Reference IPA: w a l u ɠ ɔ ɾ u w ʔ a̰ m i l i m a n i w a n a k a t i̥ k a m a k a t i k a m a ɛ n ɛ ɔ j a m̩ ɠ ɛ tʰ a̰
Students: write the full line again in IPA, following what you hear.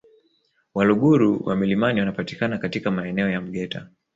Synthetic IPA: w a l u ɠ u ɾ u w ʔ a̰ m i l i m a n i w a n a p a t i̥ k a n a k a t i k a m a ɛ n ɛ ɔ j a m̩ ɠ ɛ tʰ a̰